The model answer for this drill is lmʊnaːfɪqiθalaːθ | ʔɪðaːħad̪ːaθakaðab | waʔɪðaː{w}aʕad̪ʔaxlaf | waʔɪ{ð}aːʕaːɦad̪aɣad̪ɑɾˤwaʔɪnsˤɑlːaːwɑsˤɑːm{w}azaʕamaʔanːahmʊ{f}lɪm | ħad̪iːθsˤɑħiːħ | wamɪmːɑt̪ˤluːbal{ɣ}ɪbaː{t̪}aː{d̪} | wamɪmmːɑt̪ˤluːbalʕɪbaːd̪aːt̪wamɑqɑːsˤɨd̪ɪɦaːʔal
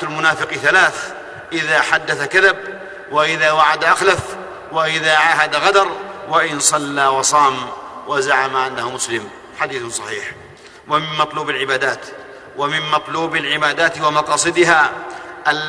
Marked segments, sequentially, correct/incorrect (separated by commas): correct, correct, correct, incorrect, incorrect, incorrect, incorrect